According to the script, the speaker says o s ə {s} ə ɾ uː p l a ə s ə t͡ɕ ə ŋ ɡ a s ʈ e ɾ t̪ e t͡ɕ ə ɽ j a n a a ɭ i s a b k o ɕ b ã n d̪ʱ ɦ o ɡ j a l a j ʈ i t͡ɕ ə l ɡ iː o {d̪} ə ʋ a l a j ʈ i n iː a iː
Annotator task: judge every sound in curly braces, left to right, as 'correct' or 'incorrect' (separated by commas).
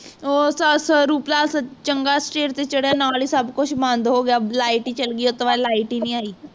correct, incorrect